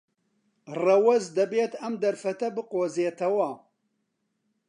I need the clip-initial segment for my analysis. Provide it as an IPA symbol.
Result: r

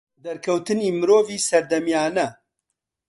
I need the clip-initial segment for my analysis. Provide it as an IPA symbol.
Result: d̪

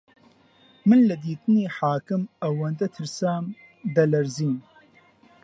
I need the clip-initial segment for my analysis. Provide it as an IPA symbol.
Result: m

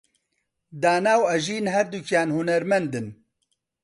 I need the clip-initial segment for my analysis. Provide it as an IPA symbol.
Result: d̪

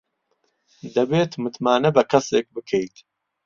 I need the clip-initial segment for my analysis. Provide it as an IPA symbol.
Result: d̪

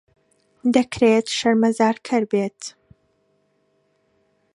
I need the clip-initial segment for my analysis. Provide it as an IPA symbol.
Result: d̪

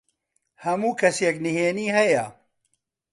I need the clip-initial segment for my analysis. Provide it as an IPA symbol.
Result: h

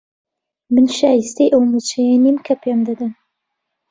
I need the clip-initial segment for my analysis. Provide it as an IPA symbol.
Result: m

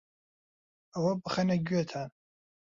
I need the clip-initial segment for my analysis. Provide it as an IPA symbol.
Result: a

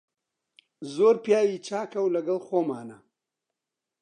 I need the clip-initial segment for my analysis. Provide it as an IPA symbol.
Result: z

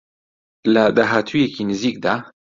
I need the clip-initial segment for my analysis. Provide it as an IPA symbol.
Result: l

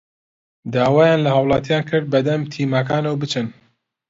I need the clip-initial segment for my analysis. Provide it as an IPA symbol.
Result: d̪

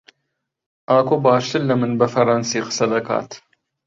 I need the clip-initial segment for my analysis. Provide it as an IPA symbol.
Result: ʔ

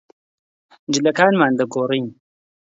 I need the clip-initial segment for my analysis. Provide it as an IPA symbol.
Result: d͡ʒ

